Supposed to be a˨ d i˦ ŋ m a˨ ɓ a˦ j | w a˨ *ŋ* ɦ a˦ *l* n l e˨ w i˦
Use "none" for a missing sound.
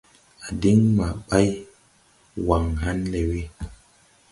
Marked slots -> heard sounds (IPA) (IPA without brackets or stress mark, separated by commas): ŋ, none